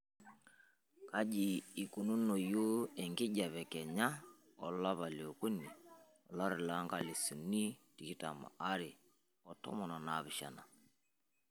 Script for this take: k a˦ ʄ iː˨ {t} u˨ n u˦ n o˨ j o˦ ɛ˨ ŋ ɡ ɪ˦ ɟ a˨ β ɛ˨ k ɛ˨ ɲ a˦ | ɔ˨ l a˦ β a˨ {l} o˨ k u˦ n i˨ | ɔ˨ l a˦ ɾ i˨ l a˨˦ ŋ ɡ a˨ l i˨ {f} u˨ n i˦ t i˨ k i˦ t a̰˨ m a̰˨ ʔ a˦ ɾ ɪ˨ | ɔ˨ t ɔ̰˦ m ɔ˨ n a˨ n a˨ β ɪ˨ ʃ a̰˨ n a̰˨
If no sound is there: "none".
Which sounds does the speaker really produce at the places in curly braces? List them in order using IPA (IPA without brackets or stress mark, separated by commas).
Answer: k, l, s